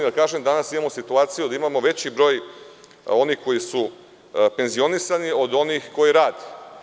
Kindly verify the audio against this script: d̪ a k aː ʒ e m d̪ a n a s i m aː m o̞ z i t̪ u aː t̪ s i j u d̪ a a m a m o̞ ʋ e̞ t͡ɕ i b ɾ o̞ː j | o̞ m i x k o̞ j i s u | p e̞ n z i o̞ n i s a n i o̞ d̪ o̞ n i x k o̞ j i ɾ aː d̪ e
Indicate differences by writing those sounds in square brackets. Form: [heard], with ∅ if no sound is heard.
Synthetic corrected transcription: d̪ a k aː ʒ e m d̪ a n a s i m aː m o̞ [s] i t̪ u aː t̪ s i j u d̪ a [i] m a m o̞ ʋ e̞ t͡ɕ i b ɾ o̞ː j | o̞ [n] i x k o̞ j i s u | p e̞ n z i o̞ n i s a n i o̞ d̪ o̞ n i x k o̞ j i ɾ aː d̪ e